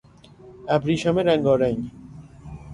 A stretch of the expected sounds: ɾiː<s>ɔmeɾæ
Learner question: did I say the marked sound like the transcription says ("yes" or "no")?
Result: no